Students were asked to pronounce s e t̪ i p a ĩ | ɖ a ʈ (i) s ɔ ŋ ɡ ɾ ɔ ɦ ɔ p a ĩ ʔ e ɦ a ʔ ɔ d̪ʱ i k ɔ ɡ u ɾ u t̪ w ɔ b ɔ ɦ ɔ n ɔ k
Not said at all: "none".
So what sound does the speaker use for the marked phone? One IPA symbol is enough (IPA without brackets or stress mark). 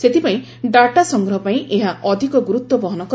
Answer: a